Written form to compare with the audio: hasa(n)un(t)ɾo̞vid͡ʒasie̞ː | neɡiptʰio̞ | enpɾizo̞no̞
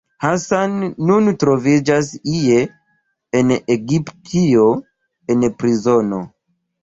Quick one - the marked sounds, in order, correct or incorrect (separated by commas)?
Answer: incorrect, correct